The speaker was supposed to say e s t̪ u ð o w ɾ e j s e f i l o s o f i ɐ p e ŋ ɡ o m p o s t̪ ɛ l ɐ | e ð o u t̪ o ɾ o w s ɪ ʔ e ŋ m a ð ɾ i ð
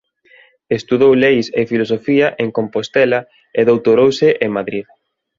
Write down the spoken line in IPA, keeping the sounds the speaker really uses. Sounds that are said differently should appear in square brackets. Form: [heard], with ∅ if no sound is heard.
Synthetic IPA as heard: e s t̪ u ð o w [l] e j s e f i l o s o f i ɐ [ʔ] e ŋ [k] o m p o s t̪ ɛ l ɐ | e ð o [w] t̪ o ɾ o w s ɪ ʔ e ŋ m a ð ɾ i ð